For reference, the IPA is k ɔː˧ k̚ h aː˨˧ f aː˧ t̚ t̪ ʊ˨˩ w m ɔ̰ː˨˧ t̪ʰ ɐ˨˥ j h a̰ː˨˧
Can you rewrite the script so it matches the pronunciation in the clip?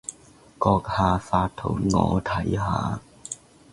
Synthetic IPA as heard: k ɔː˧ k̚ h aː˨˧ f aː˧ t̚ t̪ʰ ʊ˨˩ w ŋ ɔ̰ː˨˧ t̪ʰ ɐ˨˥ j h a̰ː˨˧